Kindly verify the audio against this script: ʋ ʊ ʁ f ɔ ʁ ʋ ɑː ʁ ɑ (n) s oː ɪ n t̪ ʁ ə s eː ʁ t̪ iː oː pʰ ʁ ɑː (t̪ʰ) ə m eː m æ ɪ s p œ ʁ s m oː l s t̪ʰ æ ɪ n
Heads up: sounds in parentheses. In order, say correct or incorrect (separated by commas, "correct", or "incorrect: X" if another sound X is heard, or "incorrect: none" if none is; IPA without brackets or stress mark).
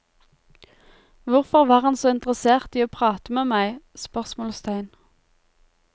correct, incorrect: t̪